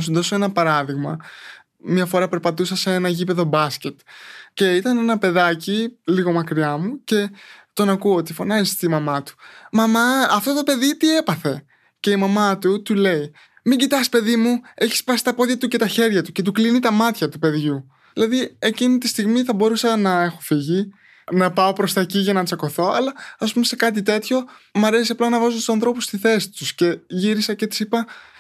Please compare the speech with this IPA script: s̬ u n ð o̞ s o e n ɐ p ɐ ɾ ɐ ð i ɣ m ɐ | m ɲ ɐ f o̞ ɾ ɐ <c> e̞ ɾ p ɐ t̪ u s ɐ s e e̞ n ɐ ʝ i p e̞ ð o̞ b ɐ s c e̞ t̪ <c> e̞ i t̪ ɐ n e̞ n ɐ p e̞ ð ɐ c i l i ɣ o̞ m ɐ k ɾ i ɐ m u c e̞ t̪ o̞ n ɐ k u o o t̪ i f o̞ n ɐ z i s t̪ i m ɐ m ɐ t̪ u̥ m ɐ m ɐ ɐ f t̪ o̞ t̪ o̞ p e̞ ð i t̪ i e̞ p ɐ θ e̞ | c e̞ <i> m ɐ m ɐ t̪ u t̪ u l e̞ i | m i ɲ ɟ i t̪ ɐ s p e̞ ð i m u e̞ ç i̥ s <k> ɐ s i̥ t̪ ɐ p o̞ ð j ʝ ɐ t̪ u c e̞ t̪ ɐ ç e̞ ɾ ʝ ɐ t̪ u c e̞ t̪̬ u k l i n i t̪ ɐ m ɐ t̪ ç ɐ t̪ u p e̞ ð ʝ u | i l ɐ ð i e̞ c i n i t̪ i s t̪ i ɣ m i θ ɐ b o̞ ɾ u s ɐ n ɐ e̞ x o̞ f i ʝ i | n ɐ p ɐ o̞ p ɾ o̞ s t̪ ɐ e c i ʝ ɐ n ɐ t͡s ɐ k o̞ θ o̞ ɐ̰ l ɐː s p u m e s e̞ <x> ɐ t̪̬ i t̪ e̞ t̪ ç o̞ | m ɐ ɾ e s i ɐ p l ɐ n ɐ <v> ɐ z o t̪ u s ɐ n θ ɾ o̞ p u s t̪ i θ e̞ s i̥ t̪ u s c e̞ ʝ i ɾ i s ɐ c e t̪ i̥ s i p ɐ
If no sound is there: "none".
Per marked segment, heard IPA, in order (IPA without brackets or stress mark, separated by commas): p, c, i, p, k, v